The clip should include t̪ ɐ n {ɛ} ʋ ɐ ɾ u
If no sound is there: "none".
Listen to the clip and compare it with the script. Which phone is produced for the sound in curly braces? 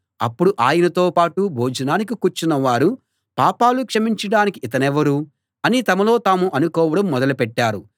ɛ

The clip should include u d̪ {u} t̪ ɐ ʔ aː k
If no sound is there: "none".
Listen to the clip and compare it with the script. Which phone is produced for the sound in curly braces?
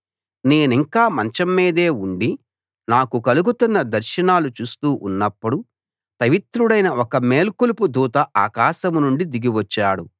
uː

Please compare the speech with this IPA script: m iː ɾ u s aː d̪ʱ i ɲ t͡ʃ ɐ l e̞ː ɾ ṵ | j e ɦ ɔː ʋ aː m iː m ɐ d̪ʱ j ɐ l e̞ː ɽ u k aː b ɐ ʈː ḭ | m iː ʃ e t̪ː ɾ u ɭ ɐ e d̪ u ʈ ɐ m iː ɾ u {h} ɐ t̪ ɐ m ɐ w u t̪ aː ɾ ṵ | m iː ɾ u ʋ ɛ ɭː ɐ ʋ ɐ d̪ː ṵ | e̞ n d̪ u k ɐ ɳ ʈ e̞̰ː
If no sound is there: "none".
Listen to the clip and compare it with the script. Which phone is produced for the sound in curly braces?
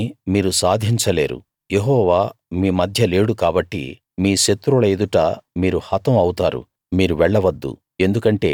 h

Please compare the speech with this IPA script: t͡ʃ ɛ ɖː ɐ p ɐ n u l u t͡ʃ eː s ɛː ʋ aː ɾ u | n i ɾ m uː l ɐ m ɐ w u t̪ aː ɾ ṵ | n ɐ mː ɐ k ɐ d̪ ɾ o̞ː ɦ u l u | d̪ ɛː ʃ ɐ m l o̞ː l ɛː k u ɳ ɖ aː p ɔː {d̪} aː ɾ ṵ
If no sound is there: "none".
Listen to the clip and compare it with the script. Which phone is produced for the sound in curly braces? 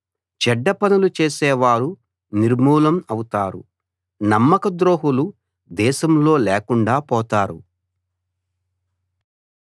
t̪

